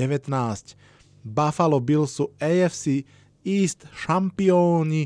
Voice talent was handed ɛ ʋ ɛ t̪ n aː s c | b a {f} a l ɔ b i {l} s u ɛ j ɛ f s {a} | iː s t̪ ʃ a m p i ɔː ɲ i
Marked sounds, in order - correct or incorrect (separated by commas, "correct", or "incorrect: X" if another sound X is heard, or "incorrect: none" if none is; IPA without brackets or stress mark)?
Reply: correct, correct, incorrect: i